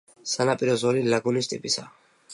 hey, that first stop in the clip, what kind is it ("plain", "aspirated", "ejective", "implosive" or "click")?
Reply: ejective